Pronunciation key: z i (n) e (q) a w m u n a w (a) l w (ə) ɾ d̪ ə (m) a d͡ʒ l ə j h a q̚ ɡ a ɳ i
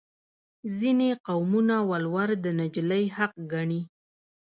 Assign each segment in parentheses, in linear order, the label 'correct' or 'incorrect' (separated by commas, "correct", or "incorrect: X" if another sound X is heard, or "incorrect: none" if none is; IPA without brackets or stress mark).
correct, correct, correct, incorrect: a, incorrect: n